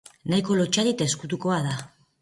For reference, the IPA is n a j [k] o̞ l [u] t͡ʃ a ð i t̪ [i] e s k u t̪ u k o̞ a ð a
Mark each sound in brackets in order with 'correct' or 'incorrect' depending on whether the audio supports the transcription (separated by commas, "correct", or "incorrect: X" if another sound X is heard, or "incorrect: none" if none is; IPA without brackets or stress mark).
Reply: correct, incorrect: o, incorrect: a